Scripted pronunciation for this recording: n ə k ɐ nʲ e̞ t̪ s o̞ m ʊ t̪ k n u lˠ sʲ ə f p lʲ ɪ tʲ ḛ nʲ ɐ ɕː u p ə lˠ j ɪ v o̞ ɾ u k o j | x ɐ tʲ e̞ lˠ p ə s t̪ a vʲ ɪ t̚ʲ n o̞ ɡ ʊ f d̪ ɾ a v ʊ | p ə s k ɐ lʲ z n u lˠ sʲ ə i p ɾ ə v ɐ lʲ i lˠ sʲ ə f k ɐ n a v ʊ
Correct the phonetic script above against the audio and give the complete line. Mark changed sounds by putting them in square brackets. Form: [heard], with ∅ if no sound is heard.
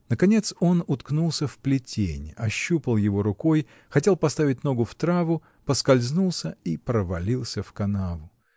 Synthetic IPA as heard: n ə k ɐ nʲ e̞ t̪ s o̞ [n] ʊ t̪ k n u lˠ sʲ ə f p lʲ ɪ tʲ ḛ nʲ ɐ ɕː u p ə lˠ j ɪ v o̞ ɾ [ʊ] k o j | x ɐ tʲ e̞ lˠ p [ɐ] s t̪ a vʲ ɪ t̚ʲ n o̞ ɡ ʊ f [t̪] ɾ a v ʊ | p ə s k ɐ lʲ z n u lˠ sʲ ə i p ɾ ə v ɐ lʲ i lˠ sʲ ə f k ɐ n a v ʊ